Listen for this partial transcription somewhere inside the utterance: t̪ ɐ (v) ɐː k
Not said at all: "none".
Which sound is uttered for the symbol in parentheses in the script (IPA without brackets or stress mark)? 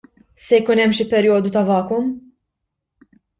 v